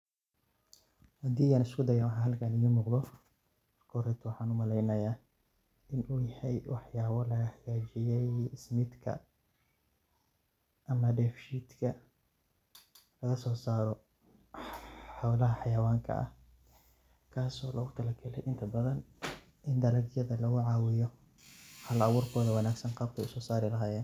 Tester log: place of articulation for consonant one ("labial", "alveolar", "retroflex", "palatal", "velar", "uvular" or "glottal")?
glottal